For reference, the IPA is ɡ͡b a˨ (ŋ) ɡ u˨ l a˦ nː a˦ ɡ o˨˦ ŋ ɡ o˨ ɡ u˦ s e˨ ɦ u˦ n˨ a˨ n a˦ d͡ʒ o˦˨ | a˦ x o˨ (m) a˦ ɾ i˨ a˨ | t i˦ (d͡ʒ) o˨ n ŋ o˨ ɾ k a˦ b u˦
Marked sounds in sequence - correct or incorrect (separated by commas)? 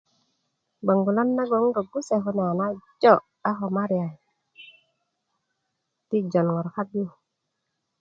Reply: correct, correct, correct